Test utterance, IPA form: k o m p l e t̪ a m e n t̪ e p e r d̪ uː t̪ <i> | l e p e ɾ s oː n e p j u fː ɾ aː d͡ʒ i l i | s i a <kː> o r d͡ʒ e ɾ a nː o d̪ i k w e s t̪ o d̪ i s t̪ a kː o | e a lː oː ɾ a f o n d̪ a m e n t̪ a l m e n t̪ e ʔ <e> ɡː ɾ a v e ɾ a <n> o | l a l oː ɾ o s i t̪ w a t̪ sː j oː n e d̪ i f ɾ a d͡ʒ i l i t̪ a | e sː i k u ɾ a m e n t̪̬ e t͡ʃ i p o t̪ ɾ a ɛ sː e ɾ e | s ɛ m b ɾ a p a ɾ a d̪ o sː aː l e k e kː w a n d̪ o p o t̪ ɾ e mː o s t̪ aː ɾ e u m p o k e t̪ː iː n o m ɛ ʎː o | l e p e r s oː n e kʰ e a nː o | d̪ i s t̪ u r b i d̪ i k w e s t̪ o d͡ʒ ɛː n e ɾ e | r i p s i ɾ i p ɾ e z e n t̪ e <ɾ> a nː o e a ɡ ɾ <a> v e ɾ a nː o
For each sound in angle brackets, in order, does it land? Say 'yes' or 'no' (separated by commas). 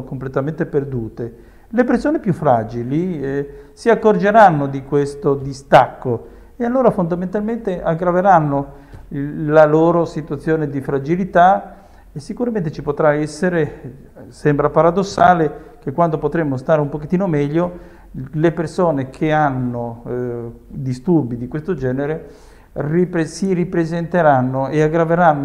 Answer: no, yes, no, no, yes, yes